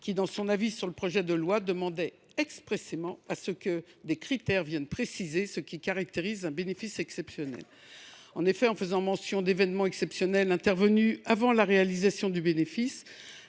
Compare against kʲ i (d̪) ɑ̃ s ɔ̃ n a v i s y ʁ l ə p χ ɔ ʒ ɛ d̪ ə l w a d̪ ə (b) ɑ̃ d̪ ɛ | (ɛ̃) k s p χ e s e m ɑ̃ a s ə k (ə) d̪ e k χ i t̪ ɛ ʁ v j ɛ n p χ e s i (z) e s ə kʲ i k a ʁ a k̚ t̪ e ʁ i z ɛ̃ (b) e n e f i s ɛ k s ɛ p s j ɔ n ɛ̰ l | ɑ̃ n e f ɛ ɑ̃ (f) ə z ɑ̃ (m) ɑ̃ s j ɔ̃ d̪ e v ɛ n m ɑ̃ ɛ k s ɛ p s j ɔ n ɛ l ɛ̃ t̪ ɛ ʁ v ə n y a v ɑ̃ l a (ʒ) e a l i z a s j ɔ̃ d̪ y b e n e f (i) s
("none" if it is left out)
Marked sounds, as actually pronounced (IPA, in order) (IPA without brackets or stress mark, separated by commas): d̪, m, ɛ, ə, z, b, f, m, ʁ, i